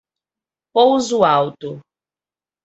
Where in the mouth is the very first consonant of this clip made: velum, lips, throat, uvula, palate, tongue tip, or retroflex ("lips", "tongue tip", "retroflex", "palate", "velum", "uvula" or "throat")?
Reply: lips